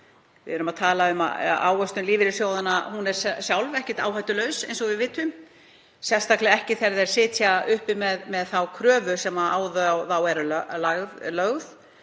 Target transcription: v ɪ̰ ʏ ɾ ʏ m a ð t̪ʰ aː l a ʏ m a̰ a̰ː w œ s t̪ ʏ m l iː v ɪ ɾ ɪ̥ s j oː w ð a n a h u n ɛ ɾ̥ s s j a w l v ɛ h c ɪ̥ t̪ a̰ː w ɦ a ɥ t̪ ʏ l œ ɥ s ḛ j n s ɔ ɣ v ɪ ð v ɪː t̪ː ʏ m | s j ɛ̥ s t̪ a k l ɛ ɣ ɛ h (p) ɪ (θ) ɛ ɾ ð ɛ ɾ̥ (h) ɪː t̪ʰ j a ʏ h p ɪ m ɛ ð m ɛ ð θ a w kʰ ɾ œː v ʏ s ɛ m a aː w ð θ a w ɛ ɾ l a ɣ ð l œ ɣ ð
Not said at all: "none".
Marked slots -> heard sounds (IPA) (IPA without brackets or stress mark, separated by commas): c, θ, s